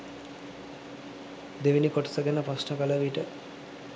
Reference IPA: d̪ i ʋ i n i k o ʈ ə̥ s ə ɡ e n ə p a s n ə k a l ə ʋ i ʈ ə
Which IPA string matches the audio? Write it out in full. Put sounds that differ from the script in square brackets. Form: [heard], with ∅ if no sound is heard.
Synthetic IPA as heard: d̪ [e] ʋ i n i k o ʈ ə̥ s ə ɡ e n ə p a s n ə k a l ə ʋ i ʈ ə